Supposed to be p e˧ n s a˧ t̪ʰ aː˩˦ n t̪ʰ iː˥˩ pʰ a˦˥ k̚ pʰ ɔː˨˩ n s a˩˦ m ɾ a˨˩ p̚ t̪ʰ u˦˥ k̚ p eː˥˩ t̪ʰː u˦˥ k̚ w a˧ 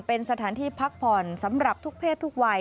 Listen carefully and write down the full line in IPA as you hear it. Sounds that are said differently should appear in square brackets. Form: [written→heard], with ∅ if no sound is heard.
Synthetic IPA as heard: p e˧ n s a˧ t̪ʰ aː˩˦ n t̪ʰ [iː˥˩→iː˧] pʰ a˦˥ k̚ pʰ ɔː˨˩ n s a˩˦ m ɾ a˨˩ p̚ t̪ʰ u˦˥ k̚ [p→pʰ] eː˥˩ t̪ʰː u˦˥ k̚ w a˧